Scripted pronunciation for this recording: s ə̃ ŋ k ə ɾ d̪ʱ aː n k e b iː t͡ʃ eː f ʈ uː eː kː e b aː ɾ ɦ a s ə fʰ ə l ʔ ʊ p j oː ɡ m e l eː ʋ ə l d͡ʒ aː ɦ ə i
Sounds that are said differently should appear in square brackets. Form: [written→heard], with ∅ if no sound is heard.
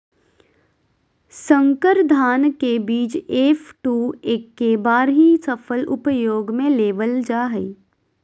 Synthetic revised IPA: s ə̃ ŋ k ə ɾ d̪ʱ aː n k e b iː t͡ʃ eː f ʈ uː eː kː e b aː ɾ ɦ [a→i] s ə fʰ ə l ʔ ʊ p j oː ɡ m [e→ẽ] l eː ʋ ə l d͡ʒ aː ɦ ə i